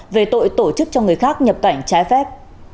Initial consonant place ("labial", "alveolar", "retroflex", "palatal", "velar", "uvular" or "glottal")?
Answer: labial